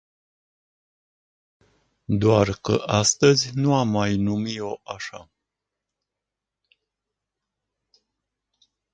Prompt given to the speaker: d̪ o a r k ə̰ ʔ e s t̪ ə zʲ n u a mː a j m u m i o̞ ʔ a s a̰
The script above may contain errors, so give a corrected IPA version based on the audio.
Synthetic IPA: d̪ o a r k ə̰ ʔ a s t̪ ə zʲ n u a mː a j n u m i o̞ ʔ a ʃ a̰